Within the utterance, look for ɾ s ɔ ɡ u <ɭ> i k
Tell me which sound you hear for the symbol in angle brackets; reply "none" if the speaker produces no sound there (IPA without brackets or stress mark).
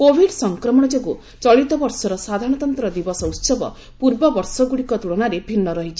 ɽ